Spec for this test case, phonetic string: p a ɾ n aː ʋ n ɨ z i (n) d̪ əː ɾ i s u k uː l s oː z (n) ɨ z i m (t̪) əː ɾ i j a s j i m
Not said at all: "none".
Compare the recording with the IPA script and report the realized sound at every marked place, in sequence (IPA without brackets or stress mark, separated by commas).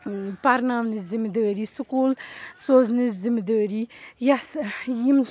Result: m, n, d̪